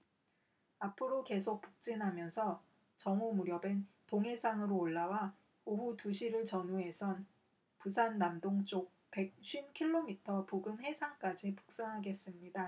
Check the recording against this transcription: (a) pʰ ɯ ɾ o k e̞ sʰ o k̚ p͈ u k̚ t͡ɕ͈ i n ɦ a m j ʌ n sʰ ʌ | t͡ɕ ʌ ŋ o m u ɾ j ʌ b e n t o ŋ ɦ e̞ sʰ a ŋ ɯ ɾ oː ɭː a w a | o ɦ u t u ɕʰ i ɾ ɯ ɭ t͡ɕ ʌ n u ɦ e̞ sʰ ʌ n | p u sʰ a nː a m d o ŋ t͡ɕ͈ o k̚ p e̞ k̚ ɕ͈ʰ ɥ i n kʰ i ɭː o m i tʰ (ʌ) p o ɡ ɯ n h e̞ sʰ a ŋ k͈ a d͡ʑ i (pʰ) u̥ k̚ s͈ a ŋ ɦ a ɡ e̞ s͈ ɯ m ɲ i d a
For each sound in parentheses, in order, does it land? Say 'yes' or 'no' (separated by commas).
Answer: yes, yes, no